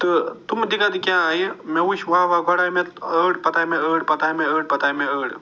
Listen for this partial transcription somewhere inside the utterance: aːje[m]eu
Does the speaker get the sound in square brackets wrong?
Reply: no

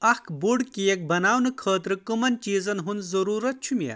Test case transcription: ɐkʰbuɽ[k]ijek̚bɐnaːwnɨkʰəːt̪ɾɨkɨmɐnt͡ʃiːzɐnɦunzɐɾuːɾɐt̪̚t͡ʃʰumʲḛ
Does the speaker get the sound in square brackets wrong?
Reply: no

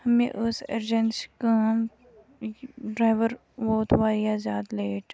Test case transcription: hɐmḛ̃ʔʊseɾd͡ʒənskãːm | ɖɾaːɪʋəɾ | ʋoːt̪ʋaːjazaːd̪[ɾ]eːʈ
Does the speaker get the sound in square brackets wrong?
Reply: yes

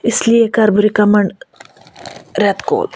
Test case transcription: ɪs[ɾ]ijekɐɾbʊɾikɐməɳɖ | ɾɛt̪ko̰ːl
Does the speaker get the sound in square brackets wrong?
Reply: yes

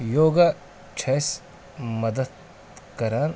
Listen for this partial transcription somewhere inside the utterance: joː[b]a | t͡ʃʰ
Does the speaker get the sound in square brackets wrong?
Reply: yes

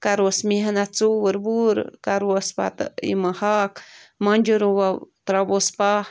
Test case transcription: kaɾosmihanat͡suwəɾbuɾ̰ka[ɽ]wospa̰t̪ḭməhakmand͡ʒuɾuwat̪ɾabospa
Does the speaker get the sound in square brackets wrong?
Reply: yes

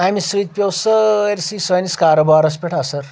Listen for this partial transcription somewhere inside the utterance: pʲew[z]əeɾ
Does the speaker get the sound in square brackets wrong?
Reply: yes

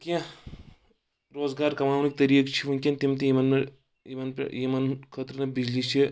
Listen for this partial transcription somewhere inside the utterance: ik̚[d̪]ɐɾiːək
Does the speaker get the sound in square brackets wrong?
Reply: yes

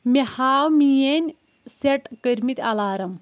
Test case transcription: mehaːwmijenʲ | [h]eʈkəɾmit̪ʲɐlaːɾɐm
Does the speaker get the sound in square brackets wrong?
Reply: yes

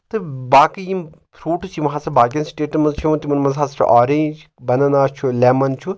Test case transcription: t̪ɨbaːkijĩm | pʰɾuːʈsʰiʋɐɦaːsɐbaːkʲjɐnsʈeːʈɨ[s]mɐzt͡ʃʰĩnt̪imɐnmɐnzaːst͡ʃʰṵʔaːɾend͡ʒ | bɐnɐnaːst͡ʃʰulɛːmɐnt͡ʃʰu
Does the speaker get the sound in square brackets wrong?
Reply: yes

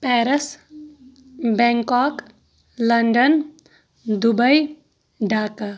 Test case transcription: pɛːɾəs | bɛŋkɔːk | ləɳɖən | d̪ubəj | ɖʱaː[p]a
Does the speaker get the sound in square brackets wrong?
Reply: yes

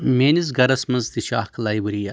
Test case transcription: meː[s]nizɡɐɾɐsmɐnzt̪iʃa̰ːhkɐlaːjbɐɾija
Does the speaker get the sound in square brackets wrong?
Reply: yes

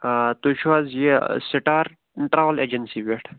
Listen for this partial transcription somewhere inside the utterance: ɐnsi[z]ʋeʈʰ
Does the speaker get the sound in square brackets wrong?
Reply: yes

